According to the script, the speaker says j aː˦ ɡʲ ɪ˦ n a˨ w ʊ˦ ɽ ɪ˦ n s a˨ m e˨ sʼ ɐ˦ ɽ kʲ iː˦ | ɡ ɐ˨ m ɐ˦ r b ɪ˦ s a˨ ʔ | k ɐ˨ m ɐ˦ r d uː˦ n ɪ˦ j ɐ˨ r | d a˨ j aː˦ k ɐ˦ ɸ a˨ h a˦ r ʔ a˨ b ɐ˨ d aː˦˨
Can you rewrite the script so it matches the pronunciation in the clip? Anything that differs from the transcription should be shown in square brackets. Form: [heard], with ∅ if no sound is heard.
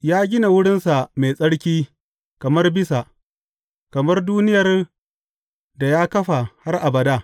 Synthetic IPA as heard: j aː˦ ɡʲ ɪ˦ n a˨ w ʊ˦ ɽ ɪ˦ n s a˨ m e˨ sʼ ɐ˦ ɽ kʲ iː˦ | [k] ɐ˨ m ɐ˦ r b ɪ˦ s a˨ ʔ | k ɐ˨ m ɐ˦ r d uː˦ n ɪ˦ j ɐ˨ r | d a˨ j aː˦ k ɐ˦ ɸ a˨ h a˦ r ʔ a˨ b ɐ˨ d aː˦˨